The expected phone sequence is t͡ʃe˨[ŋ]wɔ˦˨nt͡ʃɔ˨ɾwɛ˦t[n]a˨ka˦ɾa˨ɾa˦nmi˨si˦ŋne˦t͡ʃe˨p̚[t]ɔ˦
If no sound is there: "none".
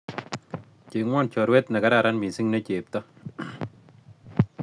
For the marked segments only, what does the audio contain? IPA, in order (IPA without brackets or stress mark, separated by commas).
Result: ŋ, n, t